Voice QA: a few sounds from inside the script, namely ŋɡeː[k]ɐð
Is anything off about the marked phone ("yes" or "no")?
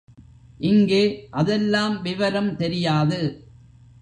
yes